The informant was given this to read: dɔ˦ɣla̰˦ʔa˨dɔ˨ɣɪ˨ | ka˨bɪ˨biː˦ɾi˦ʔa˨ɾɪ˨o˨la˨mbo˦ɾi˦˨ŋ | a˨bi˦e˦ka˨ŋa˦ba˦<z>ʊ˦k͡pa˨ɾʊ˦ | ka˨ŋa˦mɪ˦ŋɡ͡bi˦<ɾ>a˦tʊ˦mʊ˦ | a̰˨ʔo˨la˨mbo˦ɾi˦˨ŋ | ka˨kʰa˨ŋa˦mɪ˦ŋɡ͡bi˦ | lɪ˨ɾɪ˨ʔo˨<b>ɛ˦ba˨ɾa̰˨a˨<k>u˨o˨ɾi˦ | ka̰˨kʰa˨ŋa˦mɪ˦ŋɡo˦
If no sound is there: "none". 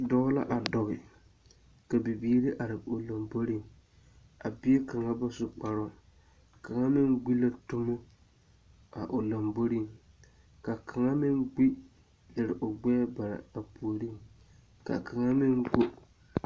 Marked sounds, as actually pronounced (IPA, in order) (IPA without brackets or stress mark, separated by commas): s, l, ɡ͡b, p